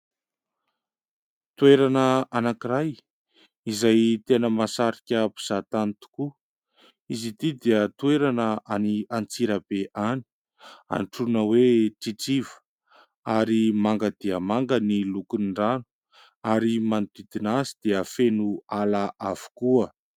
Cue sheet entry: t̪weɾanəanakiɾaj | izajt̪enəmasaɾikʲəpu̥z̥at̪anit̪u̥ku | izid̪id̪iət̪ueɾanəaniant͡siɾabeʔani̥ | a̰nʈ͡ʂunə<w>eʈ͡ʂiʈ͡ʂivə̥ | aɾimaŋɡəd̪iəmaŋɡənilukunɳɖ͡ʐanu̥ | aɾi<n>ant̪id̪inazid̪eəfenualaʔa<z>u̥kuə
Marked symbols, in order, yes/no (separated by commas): yes, no, no